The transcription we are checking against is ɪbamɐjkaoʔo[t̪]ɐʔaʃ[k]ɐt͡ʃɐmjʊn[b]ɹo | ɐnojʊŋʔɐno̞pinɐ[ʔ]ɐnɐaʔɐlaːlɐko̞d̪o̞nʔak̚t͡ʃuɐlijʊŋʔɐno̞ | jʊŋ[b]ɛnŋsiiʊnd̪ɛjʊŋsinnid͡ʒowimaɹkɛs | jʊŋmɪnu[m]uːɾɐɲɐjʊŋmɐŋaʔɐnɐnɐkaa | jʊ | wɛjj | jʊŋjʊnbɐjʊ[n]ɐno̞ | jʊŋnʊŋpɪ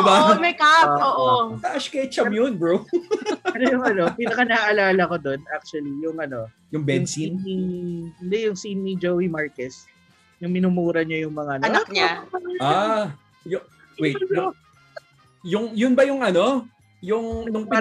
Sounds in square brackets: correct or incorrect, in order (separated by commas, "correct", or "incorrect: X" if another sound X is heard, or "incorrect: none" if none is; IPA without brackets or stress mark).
correct, correct, correct, incorrect: k, correct, correct, incorrect: ŋ